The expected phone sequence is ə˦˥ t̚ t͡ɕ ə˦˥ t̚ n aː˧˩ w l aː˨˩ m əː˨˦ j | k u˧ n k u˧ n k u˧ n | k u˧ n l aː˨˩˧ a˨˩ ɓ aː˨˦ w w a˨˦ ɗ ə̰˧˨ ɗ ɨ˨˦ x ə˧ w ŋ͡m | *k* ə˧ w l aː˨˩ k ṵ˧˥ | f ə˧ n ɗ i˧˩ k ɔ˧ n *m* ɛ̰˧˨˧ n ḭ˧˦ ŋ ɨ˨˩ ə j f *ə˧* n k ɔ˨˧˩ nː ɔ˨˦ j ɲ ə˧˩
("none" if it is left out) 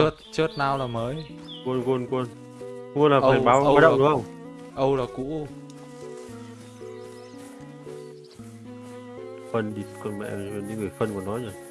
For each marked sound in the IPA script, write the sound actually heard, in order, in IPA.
ʔ, m, ə˧

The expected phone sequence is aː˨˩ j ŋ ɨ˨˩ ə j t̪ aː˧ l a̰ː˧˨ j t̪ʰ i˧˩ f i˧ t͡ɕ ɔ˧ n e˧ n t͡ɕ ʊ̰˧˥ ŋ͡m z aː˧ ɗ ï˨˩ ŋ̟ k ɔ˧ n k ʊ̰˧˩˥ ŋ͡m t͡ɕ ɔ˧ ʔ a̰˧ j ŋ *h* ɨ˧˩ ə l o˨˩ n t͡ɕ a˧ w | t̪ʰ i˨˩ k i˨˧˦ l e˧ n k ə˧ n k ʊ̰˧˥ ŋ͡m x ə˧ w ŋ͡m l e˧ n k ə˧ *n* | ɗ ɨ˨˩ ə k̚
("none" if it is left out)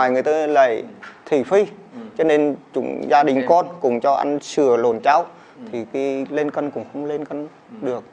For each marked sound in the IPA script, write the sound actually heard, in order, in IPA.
s, n

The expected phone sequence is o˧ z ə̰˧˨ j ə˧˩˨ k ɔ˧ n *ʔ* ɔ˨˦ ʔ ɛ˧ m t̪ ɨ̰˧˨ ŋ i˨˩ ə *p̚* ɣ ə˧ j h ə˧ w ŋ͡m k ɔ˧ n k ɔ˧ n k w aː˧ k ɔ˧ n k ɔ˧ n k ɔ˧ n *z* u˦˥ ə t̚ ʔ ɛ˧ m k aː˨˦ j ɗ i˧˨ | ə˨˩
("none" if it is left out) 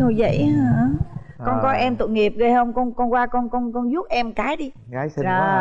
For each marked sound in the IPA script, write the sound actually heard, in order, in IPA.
k, p̚, z

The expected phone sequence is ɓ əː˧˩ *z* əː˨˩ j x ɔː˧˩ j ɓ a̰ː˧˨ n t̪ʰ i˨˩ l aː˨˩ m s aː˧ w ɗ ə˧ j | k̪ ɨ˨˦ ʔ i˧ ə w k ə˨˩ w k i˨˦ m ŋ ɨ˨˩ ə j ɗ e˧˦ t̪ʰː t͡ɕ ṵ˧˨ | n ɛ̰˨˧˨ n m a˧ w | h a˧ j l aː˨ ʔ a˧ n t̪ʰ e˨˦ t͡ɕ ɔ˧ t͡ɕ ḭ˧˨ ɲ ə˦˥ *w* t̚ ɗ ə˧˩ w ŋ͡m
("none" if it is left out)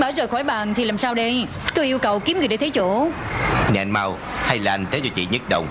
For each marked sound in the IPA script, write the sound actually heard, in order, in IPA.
z, none

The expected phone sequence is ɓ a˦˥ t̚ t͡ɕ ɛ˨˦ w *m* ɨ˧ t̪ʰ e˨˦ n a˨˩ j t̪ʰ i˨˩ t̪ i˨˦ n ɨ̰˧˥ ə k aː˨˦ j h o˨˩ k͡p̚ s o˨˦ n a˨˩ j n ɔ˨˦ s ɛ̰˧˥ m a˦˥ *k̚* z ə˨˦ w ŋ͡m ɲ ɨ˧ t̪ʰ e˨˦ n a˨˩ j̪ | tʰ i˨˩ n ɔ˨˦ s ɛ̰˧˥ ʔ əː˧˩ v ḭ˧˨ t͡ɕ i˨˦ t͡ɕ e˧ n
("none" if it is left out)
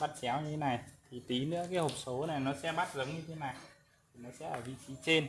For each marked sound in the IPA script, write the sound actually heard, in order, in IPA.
ɲ, t̚

